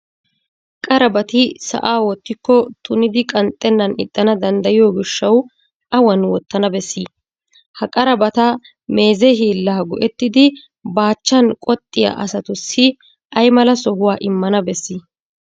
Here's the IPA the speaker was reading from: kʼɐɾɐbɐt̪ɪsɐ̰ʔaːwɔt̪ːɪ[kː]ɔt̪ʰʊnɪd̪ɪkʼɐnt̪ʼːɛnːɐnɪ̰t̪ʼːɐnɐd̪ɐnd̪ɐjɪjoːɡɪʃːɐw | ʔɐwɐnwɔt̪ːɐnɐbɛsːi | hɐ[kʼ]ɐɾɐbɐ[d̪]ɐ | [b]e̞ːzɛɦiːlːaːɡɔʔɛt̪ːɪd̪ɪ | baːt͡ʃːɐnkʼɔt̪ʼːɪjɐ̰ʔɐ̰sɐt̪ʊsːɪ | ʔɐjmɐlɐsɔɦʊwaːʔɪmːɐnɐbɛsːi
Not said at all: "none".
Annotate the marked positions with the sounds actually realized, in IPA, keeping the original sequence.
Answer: kː, kʼ, t̪, m

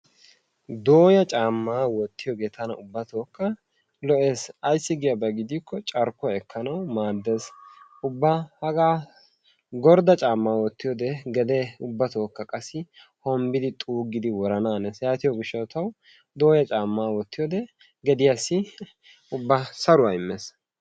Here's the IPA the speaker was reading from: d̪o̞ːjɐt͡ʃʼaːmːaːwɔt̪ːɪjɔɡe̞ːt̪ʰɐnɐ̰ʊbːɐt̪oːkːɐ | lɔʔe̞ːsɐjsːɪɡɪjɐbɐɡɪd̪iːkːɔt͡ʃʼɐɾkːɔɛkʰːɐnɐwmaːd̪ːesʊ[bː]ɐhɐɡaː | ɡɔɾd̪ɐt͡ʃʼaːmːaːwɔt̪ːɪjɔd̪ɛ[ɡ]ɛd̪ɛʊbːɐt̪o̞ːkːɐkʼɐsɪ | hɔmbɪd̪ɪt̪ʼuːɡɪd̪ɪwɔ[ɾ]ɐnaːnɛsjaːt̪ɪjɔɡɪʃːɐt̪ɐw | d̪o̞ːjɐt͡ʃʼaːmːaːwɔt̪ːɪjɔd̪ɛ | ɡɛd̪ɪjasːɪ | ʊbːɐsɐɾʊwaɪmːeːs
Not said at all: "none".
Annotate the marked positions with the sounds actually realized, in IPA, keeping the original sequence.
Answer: bː, ɡ, ɾ

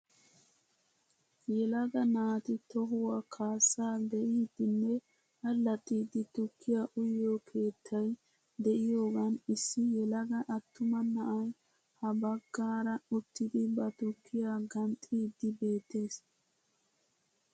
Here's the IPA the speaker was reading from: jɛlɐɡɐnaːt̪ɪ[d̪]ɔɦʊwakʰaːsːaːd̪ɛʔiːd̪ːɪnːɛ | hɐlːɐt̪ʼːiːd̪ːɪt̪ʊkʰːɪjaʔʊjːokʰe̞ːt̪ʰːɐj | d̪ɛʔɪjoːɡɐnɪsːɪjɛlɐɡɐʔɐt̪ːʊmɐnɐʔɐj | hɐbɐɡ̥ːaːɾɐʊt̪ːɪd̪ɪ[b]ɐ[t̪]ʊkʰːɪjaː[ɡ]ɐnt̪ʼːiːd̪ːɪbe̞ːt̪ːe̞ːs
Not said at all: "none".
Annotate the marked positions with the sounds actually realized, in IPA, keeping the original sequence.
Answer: t̪, b, t̪, ɡ

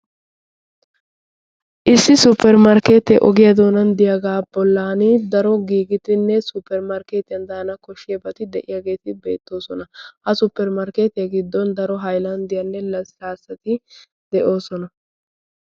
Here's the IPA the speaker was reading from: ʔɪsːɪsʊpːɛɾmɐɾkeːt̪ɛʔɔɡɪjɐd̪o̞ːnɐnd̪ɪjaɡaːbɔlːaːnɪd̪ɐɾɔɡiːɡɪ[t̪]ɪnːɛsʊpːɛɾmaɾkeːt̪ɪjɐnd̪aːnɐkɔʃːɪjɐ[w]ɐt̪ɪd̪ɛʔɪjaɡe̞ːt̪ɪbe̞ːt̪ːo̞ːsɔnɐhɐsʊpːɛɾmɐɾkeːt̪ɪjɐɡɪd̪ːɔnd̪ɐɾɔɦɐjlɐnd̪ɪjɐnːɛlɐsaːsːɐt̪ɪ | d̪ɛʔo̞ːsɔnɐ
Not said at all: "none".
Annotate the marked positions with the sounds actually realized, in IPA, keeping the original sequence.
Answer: t̪, b

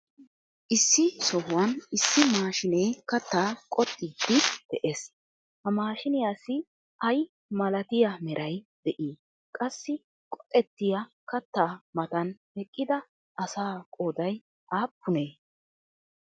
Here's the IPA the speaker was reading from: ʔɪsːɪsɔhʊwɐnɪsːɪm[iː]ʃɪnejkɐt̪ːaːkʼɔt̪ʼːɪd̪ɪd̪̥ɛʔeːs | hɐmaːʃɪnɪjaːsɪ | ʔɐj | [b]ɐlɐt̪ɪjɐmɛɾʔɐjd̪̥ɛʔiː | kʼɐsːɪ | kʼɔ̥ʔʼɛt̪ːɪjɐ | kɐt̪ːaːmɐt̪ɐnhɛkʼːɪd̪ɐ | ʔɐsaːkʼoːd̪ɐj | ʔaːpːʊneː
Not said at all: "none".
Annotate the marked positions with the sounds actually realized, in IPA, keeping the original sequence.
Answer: aː, m

